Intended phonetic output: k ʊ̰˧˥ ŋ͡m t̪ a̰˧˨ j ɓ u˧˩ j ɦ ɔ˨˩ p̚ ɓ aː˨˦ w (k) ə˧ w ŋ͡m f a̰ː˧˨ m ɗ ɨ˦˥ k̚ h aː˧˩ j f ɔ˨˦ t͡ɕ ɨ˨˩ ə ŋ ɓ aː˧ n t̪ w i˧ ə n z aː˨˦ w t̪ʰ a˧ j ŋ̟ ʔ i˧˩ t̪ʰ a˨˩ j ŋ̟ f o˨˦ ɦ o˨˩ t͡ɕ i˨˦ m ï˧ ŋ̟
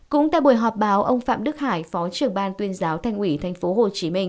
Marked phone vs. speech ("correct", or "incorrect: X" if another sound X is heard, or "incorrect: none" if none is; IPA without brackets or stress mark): incorrect: ʔ